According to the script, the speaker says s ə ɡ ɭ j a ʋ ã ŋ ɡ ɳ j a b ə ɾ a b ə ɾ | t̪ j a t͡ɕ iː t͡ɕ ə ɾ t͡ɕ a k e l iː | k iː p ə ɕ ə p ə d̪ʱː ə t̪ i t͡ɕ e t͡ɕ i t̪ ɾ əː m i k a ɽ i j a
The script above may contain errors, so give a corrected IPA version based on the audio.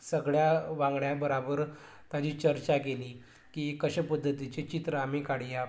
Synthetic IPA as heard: s ə ɡ ɭ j a ʋ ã ŋ ɡ ɳ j a b ə ɾ a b ə ɾ | t̪ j a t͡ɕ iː t͡ɕ ə ɾ t͡ɕ a k e l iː | k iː k ə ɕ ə p ə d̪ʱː ə t̪ i t͡ɕ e t͡ɕ i t̪ ɾ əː m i k a ɽ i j a